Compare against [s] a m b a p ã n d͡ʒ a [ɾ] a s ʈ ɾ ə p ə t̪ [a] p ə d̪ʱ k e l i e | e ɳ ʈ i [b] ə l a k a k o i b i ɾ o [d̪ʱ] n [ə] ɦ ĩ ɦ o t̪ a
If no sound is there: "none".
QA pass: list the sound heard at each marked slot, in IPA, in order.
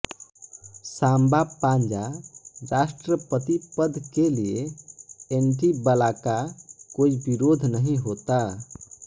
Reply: s, ɾ, i, b, d̪ʱ, ə

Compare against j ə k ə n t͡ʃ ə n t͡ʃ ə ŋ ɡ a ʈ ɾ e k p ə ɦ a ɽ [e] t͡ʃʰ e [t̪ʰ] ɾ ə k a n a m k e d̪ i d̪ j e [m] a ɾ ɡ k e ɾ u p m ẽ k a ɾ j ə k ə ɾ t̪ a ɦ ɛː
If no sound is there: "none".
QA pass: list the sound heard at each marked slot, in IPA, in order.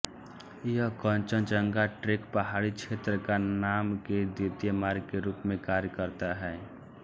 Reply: i, t̪, m

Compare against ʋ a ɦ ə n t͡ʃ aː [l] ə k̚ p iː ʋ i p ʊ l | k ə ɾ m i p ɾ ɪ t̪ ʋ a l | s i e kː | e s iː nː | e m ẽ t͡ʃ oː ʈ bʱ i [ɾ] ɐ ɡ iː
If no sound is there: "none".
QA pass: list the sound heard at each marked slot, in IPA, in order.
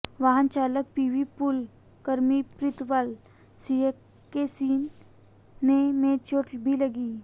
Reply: l, l

